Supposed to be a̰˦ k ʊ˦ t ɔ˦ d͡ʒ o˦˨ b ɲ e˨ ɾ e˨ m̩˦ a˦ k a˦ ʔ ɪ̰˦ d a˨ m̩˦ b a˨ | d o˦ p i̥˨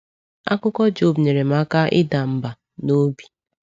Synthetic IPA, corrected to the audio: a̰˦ k ʊ˦ k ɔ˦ d͡ʒ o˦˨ b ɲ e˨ ɾ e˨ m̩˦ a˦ k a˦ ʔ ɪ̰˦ d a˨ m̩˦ b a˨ | n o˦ b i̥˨